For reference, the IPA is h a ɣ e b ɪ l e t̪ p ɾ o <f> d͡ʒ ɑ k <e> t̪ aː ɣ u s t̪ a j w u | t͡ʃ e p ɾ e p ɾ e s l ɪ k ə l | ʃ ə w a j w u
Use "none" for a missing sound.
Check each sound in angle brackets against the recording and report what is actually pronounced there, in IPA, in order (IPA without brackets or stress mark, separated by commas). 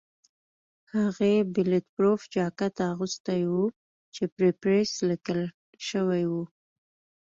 f, a